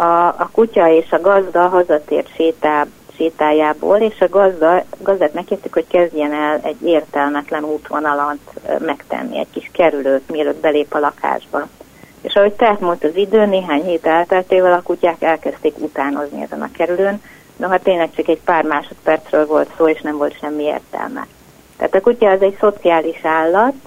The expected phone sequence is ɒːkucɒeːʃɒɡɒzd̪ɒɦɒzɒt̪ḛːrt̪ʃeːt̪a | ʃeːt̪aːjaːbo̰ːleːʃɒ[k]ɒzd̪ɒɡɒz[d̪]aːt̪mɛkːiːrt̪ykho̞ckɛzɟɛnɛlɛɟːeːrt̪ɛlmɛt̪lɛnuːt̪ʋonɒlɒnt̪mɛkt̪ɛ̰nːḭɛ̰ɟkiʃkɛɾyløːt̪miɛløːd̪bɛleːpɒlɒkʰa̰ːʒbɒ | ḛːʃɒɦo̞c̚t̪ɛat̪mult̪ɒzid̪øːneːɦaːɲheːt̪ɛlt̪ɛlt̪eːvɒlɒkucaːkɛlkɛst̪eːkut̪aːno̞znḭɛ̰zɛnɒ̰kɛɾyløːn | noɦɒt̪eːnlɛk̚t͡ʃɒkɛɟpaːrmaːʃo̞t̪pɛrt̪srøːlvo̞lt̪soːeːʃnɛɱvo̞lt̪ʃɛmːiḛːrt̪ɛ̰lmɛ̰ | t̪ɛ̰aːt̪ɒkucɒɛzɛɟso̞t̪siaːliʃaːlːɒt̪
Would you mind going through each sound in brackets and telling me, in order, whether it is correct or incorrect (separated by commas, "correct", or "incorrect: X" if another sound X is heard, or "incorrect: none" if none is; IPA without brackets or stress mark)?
incorrect: ɡ, correct